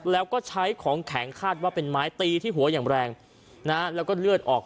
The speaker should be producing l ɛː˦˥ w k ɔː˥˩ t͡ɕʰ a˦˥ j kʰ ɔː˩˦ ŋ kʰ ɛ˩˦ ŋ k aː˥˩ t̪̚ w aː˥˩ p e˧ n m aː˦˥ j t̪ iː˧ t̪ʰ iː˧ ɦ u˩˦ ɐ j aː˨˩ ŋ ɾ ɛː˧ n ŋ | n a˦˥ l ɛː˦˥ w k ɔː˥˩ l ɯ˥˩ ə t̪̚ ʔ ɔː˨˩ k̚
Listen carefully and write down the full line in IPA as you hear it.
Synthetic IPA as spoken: l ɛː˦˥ w k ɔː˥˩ t͡ɕʰ a˦˥ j kʰ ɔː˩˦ ŋ kʰ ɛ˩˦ ŋ kʰ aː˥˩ t̪̚ w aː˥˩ p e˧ n m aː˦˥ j t̪ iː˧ t̪ʰ iː˥˩ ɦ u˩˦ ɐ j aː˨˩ ŋ ɾ ɛː˧ ŋ | n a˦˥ l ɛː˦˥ w k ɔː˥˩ l ɯ˥˩ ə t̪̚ ʔ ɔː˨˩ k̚